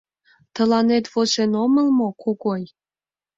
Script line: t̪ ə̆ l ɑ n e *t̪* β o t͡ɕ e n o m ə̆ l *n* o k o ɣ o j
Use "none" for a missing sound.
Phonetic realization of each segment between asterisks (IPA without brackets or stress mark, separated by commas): t̪, m